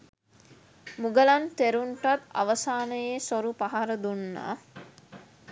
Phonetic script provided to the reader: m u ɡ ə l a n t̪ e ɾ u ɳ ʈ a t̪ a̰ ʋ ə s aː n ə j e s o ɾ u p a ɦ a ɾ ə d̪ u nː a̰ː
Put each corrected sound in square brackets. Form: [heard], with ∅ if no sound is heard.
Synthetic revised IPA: m u ɡ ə l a n t̪ e ɾ u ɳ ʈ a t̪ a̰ ʋ ə s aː n ə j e s o ɾ u p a ɦ a ɾ ə d̪ u nː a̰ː